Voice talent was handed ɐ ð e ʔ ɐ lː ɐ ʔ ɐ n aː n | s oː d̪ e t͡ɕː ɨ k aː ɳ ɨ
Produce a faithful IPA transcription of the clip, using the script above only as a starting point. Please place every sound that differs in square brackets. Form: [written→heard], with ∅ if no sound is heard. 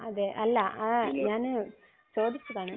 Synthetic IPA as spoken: ɐ ð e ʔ ɐ lː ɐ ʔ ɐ [n→ɲ] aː n | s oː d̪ [e→i] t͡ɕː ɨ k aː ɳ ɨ